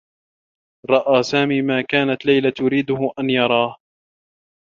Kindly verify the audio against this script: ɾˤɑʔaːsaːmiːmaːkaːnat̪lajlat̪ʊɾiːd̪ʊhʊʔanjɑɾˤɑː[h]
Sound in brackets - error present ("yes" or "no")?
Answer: no